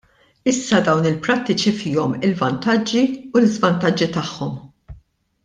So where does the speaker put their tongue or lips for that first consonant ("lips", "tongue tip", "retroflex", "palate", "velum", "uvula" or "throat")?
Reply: tongue tip